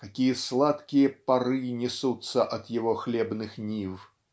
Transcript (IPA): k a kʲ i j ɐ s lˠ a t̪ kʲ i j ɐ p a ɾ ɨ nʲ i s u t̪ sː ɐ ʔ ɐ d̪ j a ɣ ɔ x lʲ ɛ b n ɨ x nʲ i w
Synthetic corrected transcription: k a kʲ i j ɐ s lˠ a t̪ kʲ i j ɐ p a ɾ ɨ nʲ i s u t̪ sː ɐ ʔ ɐ d̪ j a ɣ ɔ x lʲ ɛ b n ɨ x nʲ i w